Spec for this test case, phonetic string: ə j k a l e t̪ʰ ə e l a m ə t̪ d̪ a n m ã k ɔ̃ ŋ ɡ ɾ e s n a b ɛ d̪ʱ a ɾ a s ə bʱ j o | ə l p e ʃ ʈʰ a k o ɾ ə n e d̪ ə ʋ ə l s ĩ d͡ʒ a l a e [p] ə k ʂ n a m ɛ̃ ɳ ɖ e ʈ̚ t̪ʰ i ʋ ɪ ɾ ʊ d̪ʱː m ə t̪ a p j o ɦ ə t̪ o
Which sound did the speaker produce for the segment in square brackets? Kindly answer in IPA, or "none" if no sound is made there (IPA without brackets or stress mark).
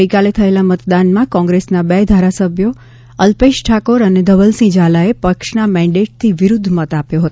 p